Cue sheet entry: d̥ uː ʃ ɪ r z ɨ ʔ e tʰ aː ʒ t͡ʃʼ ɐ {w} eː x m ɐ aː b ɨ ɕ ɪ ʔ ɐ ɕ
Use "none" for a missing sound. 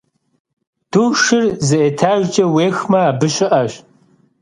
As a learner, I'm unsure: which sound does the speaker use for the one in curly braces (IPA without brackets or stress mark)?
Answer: w